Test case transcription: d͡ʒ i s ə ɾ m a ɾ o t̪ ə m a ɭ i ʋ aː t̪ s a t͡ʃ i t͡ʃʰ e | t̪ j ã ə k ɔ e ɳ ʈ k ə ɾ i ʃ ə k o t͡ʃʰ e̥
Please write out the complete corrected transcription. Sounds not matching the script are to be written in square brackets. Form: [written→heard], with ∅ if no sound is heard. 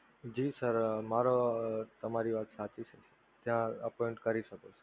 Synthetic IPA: d͡ʒ i s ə ɾ m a ɾ o t̪ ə m a [ɭ→ɾ] i ʋ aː t̪ s a t͡ʃ i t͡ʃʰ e | t̪ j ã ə [k→p] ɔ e ɳ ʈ k ə ɾ i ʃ ə k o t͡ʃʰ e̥

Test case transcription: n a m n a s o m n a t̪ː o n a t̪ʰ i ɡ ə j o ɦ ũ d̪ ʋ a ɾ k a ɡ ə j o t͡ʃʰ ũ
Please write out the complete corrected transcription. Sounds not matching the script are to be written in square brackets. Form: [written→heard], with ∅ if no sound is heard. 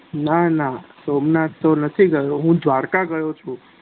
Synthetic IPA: n a [m→∅] n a s o m n a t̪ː o n [a→ə] t̪ʰ i ɡ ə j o ɦ ũ d̪ ʋ a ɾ k a ɡ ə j o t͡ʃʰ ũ

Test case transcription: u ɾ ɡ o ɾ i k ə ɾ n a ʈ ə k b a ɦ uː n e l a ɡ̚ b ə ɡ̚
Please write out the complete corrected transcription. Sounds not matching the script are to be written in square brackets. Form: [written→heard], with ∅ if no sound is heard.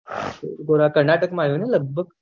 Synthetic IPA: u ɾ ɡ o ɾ [i→a] k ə ɾ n a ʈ ə k [b→m] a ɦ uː n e l [a→ə] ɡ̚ b ə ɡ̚

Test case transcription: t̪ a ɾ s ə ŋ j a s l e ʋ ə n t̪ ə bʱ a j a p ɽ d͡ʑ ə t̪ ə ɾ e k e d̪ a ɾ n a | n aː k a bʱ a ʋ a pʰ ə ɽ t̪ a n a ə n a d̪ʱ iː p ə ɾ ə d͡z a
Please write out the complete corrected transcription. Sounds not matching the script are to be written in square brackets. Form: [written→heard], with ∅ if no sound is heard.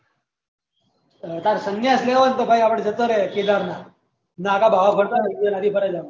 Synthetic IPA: t̪ a ɾ s ə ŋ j a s l e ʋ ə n t̪ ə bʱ a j a p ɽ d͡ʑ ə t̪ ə ɾ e k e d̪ a ɾ n a | n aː k a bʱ a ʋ a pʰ ə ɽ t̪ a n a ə n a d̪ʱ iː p ə ɾ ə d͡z a

